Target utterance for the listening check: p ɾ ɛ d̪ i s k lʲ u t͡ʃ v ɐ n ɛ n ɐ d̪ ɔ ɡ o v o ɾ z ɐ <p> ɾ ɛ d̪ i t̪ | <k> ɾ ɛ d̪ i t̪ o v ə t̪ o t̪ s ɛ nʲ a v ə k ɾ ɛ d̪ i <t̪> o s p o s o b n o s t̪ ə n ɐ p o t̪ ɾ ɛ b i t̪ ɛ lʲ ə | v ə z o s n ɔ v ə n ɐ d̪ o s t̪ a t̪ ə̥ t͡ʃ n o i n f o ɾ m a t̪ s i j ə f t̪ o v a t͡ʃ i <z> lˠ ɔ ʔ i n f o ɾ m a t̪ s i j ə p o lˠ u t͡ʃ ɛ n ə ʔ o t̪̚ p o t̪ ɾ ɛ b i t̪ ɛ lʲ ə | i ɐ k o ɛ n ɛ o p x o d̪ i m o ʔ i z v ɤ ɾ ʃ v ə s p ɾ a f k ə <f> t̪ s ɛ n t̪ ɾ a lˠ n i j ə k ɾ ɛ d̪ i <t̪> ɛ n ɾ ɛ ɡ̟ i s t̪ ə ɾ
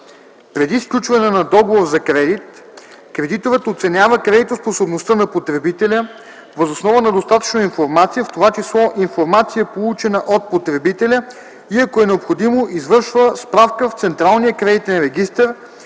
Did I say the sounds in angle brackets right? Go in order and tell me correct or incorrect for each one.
incorrect, correct, correct, incorrect, correct, correct

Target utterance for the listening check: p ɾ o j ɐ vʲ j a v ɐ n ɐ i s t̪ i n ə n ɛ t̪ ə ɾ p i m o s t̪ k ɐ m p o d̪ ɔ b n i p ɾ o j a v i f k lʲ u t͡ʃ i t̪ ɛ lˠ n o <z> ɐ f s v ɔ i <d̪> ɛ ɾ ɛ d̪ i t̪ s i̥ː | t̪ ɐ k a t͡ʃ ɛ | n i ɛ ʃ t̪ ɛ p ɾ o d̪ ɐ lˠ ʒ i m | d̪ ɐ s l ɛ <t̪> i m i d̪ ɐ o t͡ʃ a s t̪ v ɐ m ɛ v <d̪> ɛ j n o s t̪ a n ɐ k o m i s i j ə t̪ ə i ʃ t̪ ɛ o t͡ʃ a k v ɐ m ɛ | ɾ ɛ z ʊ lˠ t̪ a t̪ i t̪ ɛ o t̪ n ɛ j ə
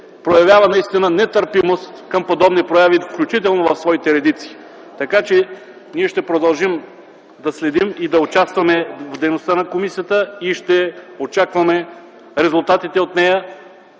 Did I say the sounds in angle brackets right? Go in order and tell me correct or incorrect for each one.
incorrect, incorrect, incorrect, correct

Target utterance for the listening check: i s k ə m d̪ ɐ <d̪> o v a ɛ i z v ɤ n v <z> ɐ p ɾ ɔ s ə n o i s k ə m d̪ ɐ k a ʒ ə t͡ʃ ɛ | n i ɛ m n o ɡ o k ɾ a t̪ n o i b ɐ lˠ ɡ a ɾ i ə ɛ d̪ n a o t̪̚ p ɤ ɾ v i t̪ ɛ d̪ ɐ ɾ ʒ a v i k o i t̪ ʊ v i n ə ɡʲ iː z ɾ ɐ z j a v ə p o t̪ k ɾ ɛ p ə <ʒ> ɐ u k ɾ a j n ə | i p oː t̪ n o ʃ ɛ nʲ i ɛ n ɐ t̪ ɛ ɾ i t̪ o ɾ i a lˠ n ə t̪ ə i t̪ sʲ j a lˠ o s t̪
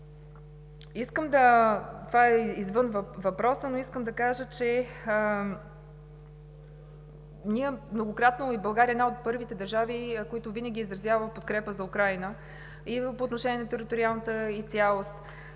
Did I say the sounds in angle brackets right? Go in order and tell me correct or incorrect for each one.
incorrect, incorrect, incorrect

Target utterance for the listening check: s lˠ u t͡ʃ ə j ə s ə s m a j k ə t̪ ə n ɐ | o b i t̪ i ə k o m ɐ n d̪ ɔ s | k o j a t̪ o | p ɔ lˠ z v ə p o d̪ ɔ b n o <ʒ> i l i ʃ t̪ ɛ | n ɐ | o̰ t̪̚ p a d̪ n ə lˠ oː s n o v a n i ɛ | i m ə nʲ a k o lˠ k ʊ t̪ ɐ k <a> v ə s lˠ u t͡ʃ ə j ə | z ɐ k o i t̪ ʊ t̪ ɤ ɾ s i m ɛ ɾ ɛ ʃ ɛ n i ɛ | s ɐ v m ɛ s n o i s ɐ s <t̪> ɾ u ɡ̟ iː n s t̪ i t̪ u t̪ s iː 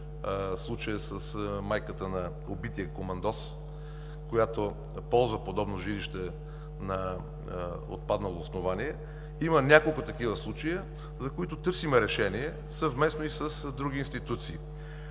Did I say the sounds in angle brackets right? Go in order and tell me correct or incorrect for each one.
correct, incorrect, incorrect

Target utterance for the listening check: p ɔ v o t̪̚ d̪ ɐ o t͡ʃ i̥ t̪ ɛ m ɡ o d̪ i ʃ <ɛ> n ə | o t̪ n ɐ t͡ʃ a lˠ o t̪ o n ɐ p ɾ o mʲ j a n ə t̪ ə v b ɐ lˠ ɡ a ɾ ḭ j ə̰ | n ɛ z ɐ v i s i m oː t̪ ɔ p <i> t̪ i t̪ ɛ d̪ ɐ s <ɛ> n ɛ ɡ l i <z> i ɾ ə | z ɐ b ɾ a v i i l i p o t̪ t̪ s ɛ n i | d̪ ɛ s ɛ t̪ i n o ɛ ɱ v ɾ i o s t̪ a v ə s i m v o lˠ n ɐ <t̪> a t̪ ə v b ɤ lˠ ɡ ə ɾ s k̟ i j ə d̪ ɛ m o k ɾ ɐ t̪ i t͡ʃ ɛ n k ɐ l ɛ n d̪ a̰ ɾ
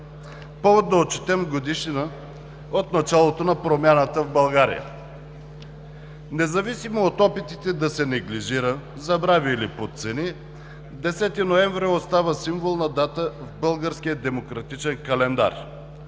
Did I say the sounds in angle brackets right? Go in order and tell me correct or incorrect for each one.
incorrect, correct, correct, incorrect, incorrect

